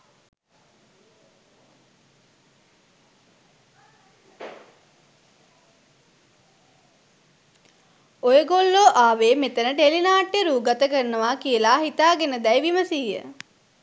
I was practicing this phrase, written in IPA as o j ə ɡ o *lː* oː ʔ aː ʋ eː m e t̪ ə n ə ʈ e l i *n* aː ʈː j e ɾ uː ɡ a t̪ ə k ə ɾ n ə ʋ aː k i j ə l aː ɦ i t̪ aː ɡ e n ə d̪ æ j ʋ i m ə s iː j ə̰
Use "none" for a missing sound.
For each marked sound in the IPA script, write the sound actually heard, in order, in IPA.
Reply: lː, n

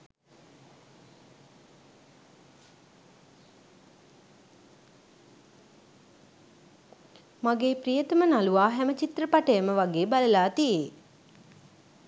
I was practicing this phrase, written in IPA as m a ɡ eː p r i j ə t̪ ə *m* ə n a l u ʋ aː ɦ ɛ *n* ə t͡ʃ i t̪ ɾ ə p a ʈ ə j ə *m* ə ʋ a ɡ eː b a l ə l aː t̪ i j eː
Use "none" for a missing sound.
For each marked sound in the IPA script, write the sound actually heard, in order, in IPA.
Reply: m, m, m

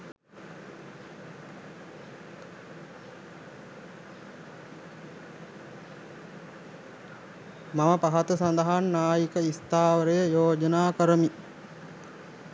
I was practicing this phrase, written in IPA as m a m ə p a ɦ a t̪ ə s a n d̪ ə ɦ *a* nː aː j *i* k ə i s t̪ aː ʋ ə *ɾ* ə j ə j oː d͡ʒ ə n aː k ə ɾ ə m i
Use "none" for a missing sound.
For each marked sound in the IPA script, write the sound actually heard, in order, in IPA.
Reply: a, i, ɾ

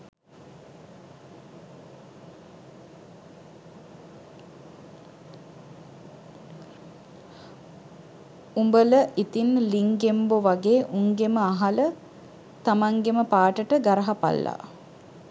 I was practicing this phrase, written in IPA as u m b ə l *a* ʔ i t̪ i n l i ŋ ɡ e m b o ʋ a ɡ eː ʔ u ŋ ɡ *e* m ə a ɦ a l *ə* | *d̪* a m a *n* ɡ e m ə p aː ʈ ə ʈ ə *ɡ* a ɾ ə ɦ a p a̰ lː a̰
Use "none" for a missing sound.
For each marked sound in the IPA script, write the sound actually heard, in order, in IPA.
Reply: ə, e, ə, t̪, ŋ, ɡ

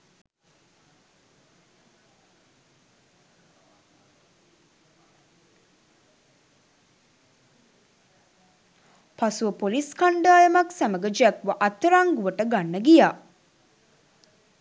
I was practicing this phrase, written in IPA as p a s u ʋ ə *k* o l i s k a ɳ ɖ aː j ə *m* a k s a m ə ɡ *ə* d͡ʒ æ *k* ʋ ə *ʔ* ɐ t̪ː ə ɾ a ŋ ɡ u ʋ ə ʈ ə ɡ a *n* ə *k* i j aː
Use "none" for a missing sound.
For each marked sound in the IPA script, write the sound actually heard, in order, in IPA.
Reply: p, m, ə, k, ʔ, nː, ɡ

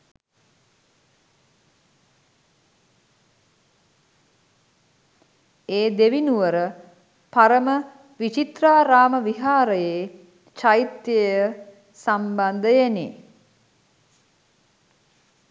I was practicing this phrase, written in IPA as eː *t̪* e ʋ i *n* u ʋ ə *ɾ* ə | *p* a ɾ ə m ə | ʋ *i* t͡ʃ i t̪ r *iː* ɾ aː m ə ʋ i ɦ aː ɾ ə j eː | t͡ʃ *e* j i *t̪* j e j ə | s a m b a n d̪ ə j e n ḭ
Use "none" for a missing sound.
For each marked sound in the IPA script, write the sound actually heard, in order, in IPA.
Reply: d̪, n, ɾ, p, i, aː, a, t̪

